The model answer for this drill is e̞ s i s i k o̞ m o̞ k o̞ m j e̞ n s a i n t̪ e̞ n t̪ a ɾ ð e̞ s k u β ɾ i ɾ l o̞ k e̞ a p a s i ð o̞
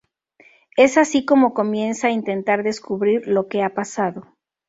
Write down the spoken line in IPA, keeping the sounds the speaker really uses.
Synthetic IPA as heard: e̞ s a s i k o̞ m o̞ k o̞ m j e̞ n s a i n t̪ e̞ n t̪ a ɾ ð e̞ s k u β ɾ i ɾ l o̞ k e̞ a p a s a ð o̞

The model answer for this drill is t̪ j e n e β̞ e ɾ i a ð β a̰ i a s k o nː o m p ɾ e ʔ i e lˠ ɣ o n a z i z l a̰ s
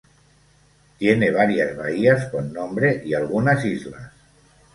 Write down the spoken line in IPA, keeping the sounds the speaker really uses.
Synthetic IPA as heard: t̪ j e n e β̞ a ɾ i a z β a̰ i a s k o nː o m b ɾ e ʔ i a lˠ ɣ u n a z i z l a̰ s

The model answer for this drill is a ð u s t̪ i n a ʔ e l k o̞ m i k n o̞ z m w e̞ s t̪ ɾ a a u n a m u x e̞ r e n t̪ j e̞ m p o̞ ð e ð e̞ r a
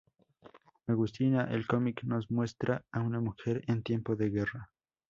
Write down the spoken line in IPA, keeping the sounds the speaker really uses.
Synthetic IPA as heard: a ɣ u s t̪ i n a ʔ e l k o̞ m i k n o̞ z m w e̞ s t̪ ɾ a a u n a m u x e̞ ɾ e n t̪ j e̞ m p o̞ ð e ɣ e̞ r a

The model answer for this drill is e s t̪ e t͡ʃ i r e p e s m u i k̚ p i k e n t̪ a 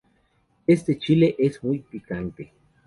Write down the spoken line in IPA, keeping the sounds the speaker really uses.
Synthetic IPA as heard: e s t̪ e t͡ʃ i l e ʔ e s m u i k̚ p i k a n t̪ e

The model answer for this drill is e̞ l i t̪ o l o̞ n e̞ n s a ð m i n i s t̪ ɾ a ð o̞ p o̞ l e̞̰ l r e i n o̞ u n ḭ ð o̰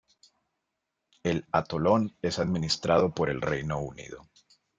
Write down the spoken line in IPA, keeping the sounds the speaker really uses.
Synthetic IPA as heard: e̞ l a t̪ o l o̞ n e̞ s a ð m i n i s t̪ ɾ a ð o̞ p o̞ ɾ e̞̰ l r e j n o̞ u n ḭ ð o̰

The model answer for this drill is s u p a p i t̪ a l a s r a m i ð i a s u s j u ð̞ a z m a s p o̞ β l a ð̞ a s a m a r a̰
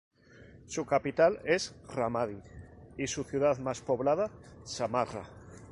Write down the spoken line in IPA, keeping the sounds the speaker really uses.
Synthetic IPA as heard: s u k a p i t̪ a l e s r a m a ð i i s u θ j u ð̞ a ð m a s p o̞ β l a ð̞ a s a m a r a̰

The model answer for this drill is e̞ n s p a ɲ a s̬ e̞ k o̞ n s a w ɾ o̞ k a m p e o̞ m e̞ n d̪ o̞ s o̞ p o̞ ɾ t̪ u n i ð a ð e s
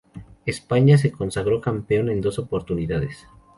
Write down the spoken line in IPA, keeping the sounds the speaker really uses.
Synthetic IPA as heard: e̞ s p a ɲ a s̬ e̞ k o̞ n s a ɣ ɾ o̞ k a m p e o̞ n e̞ n d̪ o̞ s o̞ p o̞ ɾ t̪ u n i ð a ð e s

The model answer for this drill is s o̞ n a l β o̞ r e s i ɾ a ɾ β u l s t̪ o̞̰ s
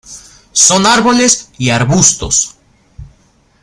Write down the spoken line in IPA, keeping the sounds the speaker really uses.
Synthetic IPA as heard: s o̞ n a ɾ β o̞ l e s i a ɾ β u s t̪ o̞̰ s

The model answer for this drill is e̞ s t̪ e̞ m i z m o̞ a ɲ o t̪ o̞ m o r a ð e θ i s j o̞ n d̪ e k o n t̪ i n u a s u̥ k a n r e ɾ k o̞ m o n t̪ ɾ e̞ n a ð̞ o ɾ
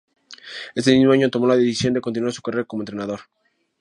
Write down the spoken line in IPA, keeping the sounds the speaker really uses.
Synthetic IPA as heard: e̞ s t̪ e̞ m i z m o̞ a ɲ o t̪ o̞ m o l a ð e θ i s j o̞ n d̪ e k o n t̪ i n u a s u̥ k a r e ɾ k o̞ m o n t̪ ɾ e̞ n a ð̞ o ɾ

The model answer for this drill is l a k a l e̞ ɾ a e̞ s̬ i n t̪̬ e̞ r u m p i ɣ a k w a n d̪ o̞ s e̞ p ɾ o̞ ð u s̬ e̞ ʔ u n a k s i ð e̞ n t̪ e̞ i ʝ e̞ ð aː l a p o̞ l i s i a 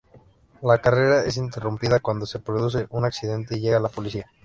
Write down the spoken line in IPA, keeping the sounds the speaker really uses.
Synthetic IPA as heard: l a k a r e̞ ɾ a e̞ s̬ i n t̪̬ e̞ r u m p i ð a k w a n d̪ o̞ s e̞ p ɾ o̞ ð u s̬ e̞ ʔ u n a k s i ð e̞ n t̪ e̞ i ʝ e̞ ɣ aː l a p o̞ l i s i a

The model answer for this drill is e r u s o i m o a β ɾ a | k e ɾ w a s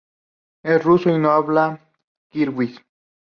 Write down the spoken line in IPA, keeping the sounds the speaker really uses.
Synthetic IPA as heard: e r u s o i n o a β l a | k i ɾ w i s

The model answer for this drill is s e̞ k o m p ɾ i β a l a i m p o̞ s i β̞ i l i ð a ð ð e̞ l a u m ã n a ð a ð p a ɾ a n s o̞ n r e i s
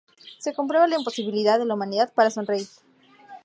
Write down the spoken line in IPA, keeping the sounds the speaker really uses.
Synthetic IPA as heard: s e̞ k o m p ɾ e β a l a i m p o̞ s i β̞ i l i ð a ð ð e̞ l a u m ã n i ð a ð p a ɾ a s o̞ n r e i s

